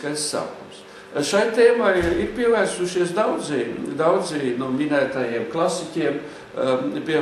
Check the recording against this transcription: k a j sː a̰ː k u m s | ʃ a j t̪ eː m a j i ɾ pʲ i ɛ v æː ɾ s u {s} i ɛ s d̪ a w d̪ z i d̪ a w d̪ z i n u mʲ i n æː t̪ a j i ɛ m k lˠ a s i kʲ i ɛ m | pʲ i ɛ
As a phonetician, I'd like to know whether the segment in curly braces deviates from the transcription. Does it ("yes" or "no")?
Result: yes